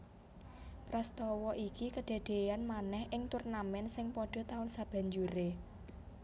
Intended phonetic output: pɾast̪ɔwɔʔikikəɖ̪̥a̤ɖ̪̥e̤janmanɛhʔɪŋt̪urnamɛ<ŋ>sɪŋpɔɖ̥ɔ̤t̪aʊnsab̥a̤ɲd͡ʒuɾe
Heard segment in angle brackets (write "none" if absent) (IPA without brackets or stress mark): n